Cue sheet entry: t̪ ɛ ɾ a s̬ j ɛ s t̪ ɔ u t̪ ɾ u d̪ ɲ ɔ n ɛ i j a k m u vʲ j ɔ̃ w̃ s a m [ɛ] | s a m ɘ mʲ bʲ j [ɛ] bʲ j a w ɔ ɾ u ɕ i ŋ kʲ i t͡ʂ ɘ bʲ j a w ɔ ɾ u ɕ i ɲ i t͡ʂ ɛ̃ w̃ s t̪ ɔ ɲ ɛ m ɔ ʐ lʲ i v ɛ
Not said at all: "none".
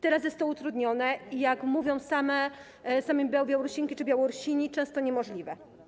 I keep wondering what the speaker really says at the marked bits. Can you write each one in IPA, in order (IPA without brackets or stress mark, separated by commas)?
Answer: ɛ, a